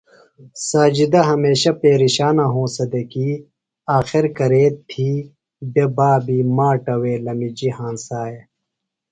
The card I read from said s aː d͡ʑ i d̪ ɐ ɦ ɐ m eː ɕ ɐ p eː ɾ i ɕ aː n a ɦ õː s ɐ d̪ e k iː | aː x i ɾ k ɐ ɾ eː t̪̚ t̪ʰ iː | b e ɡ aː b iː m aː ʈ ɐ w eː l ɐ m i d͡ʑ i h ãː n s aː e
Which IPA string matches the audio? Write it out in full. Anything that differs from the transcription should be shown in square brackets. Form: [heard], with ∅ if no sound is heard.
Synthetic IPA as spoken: s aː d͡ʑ i d̪ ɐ ɦ ɐ m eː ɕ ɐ p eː ɾ i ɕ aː n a ɦ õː s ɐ d̪ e k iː | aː x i ɾ k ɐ ɾ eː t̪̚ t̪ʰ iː | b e [b] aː b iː m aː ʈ ɐ w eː l ɐ m i d͡ʑ i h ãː n s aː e